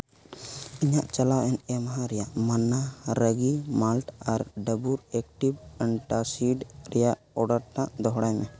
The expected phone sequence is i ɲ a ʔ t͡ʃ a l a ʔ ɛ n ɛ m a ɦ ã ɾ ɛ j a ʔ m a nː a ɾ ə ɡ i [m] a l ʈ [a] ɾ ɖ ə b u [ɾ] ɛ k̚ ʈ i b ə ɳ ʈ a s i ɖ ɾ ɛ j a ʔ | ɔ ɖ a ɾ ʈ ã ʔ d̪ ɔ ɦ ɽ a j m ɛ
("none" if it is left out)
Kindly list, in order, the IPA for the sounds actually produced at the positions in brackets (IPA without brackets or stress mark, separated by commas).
m, a, ɾ